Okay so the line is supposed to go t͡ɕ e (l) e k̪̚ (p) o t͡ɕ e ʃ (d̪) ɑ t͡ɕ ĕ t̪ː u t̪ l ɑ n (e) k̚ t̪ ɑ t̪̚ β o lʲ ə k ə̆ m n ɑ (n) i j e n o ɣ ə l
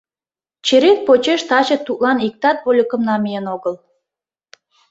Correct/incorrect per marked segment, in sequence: incorrect, correct, incorrect, incorrect, incorrect

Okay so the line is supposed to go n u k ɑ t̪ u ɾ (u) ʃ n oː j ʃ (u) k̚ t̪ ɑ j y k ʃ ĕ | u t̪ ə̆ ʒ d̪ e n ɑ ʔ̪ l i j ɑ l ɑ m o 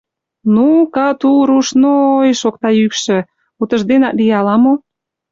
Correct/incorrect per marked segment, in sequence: correct, incorrect

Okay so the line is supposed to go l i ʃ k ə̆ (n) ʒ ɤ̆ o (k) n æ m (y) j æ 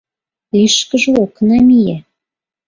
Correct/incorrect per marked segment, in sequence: incorrect, correct, incorrect

